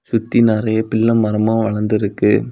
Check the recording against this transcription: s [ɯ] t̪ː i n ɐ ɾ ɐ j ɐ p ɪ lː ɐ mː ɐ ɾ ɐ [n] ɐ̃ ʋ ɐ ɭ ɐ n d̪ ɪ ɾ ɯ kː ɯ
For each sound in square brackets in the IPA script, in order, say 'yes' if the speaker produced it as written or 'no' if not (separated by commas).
no, no